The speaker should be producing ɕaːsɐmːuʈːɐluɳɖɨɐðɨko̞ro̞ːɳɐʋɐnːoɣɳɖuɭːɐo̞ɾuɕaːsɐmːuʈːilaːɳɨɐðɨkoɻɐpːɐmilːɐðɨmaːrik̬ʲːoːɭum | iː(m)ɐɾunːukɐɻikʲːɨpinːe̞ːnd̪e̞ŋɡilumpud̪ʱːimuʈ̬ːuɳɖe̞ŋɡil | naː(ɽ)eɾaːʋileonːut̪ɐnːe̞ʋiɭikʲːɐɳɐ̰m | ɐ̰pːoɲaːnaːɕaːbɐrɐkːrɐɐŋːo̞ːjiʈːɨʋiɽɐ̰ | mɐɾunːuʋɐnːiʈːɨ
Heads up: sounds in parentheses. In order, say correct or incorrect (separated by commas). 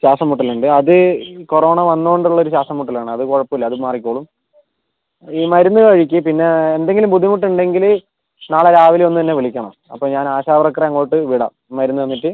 correct, incorrect